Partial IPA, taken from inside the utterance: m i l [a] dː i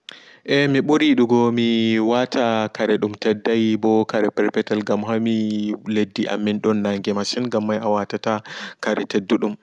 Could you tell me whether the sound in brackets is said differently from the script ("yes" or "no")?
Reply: yes